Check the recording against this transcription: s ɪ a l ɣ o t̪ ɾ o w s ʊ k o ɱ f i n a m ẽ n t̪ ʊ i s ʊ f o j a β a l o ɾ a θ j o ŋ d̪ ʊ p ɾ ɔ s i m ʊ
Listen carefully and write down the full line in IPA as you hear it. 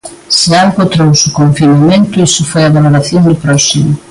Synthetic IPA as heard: s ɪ a l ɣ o t̪ ɾ o w s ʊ k o ɱ f i n a m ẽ n t̪ ʊ i s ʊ f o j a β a l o ɾ a θ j o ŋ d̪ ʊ p ɾ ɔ s i m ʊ